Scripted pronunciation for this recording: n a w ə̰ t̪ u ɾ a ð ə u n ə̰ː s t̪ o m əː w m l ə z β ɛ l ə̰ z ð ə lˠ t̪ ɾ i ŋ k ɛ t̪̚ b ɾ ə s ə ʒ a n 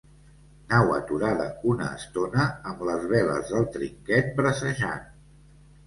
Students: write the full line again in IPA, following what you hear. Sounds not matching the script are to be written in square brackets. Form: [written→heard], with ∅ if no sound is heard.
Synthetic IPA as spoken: n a w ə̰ t̪ u ɾ a ð ə u n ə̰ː s t̪ o [m→n] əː [w→∅] m l ə z β ɛ l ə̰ z ð ə lˠ t̪ ɾ i ŋ k ɛ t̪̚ b ɾ ə s ə ʒ a n